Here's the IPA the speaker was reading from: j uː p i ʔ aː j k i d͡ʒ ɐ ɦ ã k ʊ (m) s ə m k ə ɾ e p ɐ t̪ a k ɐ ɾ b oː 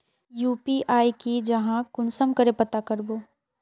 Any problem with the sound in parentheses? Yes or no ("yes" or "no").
yes